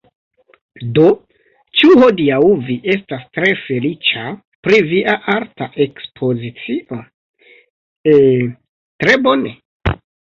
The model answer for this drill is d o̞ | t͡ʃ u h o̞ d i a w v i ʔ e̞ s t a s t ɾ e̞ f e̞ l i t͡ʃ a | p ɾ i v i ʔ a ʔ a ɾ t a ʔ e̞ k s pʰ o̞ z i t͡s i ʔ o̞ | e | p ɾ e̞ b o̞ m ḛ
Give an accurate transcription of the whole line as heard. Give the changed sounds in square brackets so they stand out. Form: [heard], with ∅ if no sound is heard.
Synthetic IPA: d o̞ | t͡ʃ u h o̞ d i a w v i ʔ e̞ s t a s t ɾ e̞ f e̞ l i t͡ʃ a | p ɾ i v i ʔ a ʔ a ɾ t a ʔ e̞ k s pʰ o̞ z i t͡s i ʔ o̞ | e | [t] ɾ e̞ b o̞ [n] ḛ

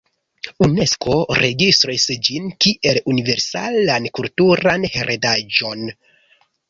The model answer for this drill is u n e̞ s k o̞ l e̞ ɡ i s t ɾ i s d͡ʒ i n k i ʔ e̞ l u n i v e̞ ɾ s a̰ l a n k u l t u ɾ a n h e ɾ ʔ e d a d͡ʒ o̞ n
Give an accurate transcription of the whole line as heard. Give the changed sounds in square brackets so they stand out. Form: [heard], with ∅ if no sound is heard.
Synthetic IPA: u n e̞ s k o̞ [ɾ] e̞ ɡ i s t ɾ i s d͡ʒ i n k i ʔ e̞ l u n i v e̞ ɾ s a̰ l a n k u l t u ɾ a n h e ɾ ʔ e d a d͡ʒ o̞ n

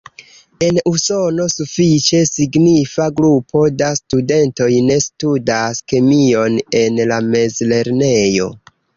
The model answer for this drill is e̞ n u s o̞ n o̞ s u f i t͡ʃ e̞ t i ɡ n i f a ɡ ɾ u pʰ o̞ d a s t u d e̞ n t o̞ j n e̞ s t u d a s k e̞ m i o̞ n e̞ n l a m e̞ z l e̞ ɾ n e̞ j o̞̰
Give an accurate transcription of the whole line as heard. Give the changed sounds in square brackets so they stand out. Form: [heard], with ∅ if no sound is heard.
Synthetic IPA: e̞ n u s o̞ n o̞ s u f i t͡ʃ e̞ [s] i ɡ n i f a ɡ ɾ u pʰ o̞ d a s t u d e̞ n t o̞ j n e̞ s t u d a s k e̞ m i o̞ n e̞ n l a m e̞ z l e̞ ɾ n e̞ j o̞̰

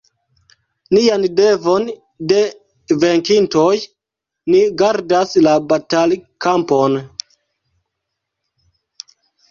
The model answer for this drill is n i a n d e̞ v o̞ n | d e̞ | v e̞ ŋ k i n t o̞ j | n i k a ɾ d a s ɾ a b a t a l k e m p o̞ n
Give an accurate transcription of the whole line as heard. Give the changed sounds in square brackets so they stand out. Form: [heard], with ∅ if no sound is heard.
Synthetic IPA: n i a n d e̞ v o̞ n | d e̞ | v e̞ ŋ k i n t o̞ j | n i [ɡ] a ɾ d a s [l] a b a t a l k [a] m p o̞ n

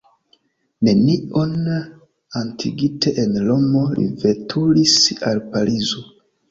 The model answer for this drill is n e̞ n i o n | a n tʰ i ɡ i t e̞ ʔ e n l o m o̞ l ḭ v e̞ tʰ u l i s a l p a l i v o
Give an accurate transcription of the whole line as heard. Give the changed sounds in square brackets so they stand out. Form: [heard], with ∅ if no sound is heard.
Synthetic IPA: n e̞ n i o n | a n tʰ i ɡ i t e̞ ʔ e n l o m o̞ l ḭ v e̞ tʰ u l i s a l p a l i [z] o

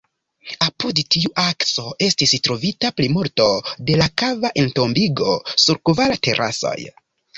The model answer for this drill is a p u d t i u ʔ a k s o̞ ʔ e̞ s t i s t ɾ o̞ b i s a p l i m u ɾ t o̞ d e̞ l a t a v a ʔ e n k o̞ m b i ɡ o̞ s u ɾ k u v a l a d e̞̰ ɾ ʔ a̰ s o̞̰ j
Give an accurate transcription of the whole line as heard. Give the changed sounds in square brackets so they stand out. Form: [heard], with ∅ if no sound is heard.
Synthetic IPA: a p u d t i u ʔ a k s o̞ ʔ e̞ s t i s t ɾ o̞ [v] i [t] a p l i m u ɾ t o̞ d e̞ l a [k] a v a ʔ e n [t] o̞ m b i ɡ o̞ s u ɾ k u v a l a [t] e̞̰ ɾ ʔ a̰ s o̞̰ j

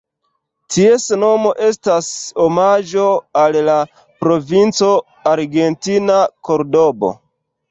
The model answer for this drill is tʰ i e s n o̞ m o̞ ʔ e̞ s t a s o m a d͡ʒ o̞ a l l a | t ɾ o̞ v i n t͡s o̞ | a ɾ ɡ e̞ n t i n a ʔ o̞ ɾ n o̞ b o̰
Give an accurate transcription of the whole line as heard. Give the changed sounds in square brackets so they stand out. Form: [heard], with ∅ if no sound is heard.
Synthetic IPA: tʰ i e s n o̞ m o̞ ʔ e̞ s t a s o m a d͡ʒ o̞ a l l a | [p] ɾ o̞ v i n t͡s o̞ | a ɾ ɡ e̞ n t i n a [k] o̞ ɾ [d] o̞ b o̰

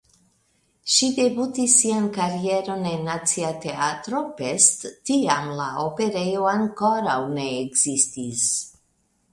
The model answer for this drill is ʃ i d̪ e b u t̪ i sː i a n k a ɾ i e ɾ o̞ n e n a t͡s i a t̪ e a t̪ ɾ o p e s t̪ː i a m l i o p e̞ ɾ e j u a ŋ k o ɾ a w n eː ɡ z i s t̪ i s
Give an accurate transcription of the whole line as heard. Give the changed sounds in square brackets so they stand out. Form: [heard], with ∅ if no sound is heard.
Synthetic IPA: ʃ i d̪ e b u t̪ i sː i a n k a ɾ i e ɾ o̞ n e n a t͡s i a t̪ e a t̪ ɾ o p e s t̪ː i a m l [a] o p e̞ ɾ e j [o] a ŋ k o ɾ a w n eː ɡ z i s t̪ i s

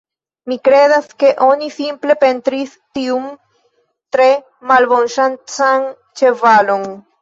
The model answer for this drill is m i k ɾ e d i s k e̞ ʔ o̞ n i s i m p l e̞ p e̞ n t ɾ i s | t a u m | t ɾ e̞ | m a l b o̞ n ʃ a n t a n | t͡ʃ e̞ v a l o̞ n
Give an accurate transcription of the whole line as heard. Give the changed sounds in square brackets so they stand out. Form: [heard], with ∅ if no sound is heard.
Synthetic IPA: m i k ɾ e d [a] s k e̞ ʔ o̞ n i s i m p l e̞ p e̞ n t ɾ i s | t [i] u m | t ɾ e̞ | m a l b o̞ n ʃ a n [t͡s] a n | t͡ʃ e̞ v a l o̞ n

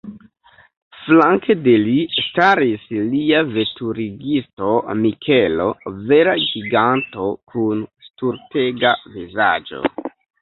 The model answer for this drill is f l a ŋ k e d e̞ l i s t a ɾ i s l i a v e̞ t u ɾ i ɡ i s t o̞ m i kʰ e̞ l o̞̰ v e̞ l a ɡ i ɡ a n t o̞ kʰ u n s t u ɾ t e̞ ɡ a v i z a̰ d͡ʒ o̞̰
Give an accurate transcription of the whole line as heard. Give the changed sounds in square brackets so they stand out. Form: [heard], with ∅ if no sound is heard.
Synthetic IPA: f l a ŋ k e d e̞ l i s t a ɾ i s l i a v e̞ t u ɾ i ɡ i s t o̞ m i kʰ e̞ l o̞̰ v e̞ [ɾ] a ɡ i ɡ a n t o̞ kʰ u n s t u ɾ t e̞ ɡ a v i z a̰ d͡ʒ o̞̰

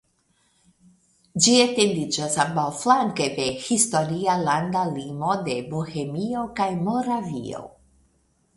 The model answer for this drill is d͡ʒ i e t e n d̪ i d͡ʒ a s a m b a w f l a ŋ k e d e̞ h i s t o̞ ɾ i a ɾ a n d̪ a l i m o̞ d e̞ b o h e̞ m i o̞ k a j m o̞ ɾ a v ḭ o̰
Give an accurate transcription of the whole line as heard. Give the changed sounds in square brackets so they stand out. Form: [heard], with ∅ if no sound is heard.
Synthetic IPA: d͡ʒ i e t e n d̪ i d͡ʒ a s a m b a w f l a ŋ k e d e̞ h i s t o̞ ɾ i a [l] a n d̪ a l i m o̞ d e̞ b o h e̞ m i o̞ k a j m o̞ ɾ a v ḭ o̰

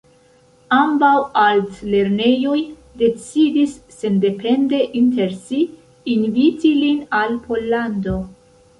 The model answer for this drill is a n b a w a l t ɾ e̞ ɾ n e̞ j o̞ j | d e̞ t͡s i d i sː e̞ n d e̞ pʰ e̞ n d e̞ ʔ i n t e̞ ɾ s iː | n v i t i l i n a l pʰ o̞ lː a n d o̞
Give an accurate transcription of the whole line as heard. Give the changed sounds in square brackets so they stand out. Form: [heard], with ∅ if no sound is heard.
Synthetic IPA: a [m] b a w a l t [l] e̞ ɾ n e̞ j o̞ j | d e̞ t͡s i d i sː e̞ n d e̞ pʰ e̞ n d e̞ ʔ i n t e̞ ɾ s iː | n v i t i l i n a l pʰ o̞ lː a n d o̞

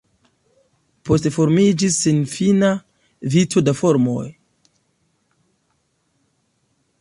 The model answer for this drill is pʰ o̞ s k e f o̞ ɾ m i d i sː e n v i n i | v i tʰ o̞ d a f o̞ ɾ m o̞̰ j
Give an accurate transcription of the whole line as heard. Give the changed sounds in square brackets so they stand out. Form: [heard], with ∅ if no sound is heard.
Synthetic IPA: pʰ o̞ s [t] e f o̞ ɾ m i [d͡ʒ] i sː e n [f] i n [a] | v i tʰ o̞ d a f o̞ ɾ m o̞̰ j

